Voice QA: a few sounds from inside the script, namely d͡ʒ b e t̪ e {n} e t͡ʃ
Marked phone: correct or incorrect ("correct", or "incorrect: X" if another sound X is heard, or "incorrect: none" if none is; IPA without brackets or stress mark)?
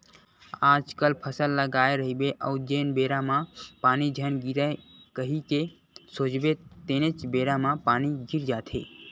correct